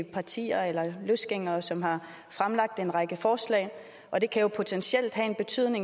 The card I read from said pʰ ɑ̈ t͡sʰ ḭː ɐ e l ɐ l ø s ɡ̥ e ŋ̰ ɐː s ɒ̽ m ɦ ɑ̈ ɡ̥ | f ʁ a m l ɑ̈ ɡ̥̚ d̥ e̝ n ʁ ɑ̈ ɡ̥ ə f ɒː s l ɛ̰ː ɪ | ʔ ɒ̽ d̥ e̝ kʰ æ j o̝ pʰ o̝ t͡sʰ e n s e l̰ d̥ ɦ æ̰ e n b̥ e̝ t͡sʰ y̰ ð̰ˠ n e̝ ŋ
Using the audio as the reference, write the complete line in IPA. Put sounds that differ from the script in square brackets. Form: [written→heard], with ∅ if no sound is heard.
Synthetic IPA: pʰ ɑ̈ t͡sʰ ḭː ɐ e l ɐ l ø s ɡ̥ e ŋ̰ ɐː s ɒ̽ m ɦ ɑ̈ [ɡ̥→∅] | f ʁ a m l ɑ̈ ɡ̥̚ d̥ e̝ n ʁ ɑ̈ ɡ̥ ə f ɒː s l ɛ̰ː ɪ | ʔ ɒ̽ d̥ e̝ kʰ æ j o̝ pʰ o̝ t͡sʰ e n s e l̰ d̥ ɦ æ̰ e n b̥ e̝ t͡sʰ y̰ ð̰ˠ n e̝ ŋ